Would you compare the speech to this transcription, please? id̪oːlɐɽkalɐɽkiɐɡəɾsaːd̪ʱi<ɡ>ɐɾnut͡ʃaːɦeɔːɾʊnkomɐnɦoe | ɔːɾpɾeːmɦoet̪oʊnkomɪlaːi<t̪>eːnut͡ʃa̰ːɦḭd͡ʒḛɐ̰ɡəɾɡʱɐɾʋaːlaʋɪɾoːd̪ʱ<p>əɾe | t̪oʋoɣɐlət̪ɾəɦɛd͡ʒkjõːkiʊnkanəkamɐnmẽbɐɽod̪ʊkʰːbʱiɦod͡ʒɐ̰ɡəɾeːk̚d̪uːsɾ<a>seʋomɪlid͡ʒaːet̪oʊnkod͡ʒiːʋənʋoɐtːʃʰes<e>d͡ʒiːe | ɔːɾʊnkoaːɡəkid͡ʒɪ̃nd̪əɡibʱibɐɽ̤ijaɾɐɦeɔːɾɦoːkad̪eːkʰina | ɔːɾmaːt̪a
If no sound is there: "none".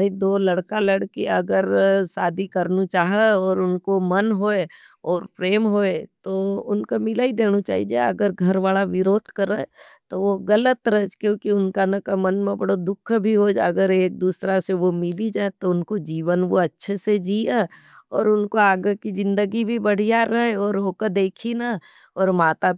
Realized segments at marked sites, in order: k, d̪, k, a, e

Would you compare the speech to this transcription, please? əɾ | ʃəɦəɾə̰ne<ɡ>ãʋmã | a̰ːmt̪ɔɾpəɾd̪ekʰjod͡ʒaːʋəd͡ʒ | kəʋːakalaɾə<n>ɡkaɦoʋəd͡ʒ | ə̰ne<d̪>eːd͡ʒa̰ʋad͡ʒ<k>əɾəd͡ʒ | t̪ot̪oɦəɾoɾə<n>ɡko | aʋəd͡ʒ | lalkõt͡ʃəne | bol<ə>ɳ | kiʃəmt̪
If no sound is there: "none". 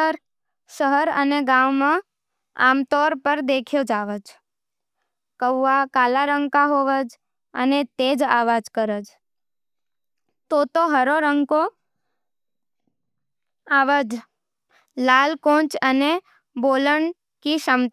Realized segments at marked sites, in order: ɡ, ŋ, t̪, k, ŋ, ə

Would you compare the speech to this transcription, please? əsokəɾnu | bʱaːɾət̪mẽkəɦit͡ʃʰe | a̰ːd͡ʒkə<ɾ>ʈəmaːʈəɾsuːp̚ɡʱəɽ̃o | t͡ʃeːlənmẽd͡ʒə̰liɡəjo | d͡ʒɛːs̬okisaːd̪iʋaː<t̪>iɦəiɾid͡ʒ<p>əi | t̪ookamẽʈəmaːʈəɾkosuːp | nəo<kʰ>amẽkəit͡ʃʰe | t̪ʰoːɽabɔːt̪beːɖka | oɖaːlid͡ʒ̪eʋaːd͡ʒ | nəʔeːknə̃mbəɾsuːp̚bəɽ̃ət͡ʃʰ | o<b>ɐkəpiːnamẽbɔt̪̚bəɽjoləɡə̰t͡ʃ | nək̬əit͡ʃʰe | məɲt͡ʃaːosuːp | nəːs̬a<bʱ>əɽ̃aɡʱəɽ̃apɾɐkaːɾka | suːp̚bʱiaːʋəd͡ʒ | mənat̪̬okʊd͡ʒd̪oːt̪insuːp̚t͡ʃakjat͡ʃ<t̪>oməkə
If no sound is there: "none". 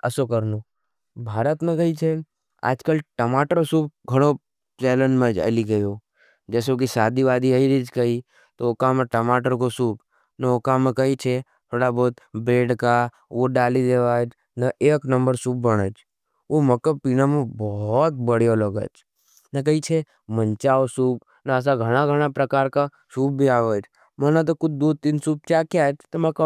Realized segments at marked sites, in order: l, d̪, k, k, m, ɡʱ, t̪

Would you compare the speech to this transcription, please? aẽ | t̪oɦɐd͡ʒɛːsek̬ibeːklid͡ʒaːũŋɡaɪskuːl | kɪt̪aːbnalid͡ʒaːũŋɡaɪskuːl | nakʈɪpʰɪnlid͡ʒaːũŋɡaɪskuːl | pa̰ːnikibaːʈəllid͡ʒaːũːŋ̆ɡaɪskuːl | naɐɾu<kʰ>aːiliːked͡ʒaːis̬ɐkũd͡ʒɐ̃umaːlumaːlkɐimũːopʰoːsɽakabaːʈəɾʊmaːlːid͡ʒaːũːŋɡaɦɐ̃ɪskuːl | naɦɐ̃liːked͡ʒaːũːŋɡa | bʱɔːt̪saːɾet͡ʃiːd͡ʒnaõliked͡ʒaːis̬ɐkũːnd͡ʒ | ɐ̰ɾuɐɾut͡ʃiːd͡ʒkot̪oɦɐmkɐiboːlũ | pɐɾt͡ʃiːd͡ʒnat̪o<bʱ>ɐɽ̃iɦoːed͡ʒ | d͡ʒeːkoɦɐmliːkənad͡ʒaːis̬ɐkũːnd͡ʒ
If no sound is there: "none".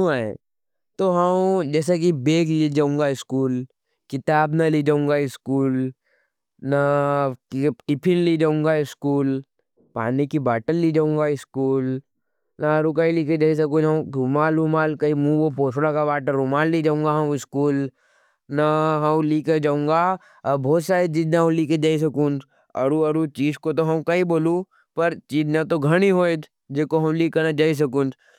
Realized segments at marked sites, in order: k, ɡʱ

